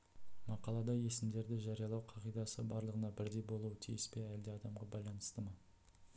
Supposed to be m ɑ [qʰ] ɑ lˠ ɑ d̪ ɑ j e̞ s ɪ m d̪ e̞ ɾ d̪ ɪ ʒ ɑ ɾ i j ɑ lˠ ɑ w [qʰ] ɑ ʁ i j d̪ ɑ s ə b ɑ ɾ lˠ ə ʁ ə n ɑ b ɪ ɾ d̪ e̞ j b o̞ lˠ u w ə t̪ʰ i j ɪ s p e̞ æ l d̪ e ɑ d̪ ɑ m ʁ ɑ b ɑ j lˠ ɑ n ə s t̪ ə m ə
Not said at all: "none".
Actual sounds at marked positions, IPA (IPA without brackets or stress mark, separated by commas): q, qʰ